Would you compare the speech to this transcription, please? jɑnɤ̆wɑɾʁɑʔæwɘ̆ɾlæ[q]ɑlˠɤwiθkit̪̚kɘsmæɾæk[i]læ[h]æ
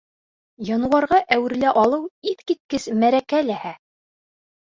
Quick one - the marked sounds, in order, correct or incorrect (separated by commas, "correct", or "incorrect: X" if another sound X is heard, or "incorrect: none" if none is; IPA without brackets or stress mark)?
incorrect: ʔ, incorrect: æ, correct